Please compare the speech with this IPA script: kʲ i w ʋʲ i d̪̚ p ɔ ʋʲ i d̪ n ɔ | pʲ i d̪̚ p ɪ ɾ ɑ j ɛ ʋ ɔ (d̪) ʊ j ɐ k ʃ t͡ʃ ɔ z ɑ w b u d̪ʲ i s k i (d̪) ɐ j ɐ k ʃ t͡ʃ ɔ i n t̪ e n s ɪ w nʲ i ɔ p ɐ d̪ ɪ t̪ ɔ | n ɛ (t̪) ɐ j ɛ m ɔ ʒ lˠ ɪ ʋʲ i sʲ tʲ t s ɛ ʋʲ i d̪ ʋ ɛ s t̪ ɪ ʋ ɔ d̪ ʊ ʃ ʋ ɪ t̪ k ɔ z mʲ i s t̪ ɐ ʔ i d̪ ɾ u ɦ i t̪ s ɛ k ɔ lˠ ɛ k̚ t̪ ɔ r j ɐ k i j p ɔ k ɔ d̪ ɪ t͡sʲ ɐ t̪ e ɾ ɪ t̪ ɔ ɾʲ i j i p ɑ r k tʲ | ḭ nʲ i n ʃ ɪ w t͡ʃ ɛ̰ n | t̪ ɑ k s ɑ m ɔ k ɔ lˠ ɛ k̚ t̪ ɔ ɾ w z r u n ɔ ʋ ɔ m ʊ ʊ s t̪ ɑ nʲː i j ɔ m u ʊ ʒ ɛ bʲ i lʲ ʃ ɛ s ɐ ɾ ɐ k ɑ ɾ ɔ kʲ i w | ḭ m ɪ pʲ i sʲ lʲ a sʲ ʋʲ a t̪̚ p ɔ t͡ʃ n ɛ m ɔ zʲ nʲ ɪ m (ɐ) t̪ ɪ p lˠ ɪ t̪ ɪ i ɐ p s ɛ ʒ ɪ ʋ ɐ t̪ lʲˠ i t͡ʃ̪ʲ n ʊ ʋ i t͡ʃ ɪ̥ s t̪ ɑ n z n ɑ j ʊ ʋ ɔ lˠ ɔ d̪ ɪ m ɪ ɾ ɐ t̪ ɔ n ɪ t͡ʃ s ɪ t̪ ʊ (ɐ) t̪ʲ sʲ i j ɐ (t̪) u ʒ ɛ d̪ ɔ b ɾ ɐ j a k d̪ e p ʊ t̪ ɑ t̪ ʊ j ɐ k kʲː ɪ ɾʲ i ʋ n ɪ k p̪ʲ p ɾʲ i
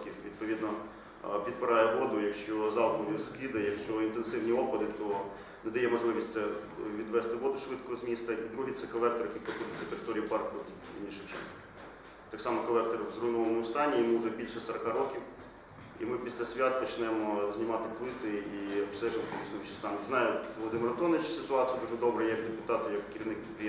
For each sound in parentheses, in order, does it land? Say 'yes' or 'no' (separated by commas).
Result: yes, yes, no, no, no, no